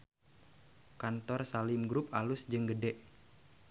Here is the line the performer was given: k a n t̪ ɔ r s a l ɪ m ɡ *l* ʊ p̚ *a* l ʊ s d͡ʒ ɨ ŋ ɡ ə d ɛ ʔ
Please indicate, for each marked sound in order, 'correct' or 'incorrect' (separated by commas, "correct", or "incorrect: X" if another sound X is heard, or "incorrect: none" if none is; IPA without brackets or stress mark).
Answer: incorrect: ɾ, correct